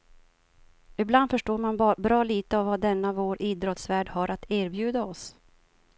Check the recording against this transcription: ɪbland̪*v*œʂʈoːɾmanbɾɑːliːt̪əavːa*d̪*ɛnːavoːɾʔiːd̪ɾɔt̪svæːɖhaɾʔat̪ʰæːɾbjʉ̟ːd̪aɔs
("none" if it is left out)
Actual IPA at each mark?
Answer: f, d̪

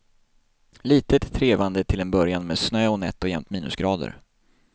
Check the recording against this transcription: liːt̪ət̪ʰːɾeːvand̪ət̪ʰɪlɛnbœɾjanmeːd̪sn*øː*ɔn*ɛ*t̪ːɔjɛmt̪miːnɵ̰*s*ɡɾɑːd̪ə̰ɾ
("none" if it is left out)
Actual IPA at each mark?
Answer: øː, ɛ, s

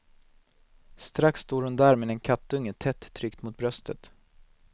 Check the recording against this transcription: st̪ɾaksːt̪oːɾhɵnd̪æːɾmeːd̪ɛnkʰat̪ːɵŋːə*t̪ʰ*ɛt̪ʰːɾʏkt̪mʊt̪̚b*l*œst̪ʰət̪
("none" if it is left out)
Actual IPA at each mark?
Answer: t̪ʰ, ɾ

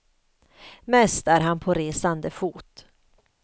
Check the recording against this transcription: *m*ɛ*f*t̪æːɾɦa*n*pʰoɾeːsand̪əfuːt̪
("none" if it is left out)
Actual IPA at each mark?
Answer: m, s, n

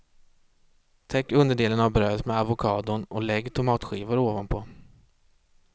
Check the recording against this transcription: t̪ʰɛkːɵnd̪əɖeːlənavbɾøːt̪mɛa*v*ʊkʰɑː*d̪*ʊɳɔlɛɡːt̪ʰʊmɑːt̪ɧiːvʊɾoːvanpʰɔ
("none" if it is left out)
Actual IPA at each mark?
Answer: v, d̪

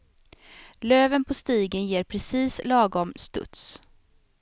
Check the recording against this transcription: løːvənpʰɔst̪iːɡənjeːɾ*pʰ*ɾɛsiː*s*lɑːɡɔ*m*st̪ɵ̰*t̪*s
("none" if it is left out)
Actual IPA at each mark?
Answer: pʰ, s, m, t̪

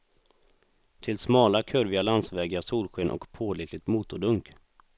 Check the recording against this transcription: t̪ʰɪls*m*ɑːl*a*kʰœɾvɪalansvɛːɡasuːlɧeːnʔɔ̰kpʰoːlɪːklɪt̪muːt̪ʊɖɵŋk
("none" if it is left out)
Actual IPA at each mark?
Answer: m, a

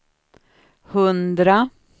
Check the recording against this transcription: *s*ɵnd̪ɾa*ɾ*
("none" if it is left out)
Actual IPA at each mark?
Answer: h, none

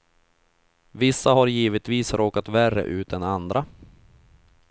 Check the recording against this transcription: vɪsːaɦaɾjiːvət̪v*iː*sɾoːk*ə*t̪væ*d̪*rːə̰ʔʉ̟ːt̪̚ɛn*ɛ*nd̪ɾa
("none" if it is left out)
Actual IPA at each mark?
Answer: iː, a, none, a

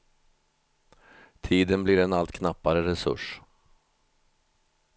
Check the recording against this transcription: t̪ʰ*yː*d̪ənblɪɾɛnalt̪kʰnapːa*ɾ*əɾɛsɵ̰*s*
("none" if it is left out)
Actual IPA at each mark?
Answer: iː, ɾ, ʂ

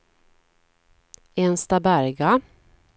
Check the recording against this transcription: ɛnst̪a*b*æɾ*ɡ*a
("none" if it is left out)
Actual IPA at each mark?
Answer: b, ɡ

